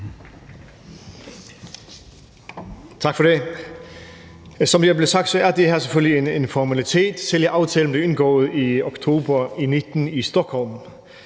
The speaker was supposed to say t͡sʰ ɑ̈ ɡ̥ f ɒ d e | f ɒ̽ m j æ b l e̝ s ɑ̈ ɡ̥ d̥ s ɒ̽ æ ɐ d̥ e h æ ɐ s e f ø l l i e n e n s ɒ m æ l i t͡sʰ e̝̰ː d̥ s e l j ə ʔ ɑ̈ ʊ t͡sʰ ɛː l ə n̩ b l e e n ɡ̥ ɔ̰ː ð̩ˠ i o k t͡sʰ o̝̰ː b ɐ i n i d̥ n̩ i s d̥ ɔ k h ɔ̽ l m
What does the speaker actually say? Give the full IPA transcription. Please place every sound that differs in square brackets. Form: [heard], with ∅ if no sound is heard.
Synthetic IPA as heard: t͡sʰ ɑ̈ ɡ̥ f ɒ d e | [s] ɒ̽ m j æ b l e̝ s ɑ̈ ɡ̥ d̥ s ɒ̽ æ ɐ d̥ e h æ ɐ s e f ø l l i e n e n [f] ɒ m æ l i t͡sʰ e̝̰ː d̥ s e l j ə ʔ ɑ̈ ʊ t͡sʰ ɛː l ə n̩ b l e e n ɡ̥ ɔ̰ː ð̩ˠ i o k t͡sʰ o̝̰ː b ɐ i n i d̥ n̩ i s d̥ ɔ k h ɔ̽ l m